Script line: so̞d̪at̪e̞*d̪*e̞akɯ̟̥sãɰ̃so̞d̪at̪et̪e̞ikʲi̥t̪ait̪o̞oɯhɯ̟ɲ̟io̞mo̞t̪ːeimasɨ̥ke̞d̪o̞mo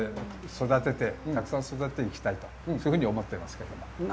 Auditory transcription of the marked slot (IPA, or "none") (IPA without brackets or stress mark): t̪